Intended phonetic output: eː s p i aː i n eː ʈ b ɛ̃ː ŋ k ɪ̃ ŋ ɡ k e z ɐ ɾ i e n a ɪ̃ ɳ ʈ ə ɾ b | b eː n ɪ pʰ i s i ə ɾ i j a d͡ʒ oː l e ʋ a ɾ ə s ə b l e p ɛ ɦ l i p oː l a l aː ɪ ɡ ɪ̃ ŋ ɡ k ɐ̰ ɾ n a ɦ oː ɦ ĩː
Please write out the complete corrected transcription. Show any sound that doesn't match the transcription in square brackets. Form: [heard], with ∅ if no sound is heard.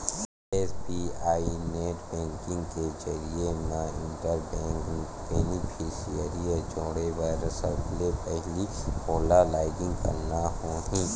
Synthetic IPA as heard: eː s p i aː i n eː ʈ b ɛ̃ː ŋ k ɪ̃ ŋ ɡ k e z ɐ ɾ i e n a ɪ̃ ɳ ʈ ə ɾ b | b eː n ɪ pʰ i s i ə ɾ i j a d͡ʒ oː [ɽ] e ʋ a ɾ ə s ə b l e p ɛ ɦ l i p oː l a l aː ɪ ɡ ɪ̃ ŋ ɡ k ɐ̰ ɾ n a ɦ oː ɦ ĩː